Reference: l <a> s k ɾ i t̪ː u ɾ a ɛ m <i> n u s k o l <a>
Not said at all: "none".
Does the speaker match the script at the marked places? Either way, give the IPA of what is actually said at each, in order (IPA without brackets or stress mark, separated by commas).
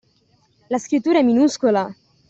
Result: a, i, a